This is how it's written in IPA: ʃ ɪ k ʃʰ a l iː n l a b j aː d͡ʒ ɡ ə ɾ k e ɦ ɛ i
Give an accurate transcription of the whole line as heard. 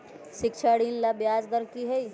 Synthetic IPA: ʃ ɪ k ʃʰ a ɽ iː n l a b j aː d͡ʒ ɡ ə ɾ k i ɦ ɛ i